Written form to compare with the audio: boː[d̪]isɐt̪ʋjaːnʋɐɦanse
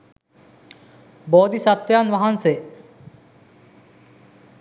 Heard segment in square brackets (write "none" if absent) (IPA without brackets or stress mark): d̪